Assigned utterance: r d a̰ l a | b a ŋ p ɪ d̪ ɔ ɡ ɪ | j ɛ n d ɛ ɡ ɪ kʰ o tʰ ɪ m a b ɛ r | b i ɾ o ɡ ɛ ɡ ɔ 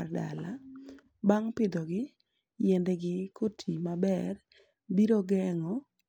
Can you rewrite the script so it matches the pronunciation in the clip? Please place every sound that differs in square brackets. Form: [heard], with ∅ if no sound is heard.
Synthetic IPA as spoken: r d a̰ l a | b a ŋ p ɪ d̪ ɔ ɡ ɪ | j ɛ n d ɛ ɡ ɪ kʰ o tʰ [i] m a b ɛ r | b i ɾ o ɡ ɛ [ŋ] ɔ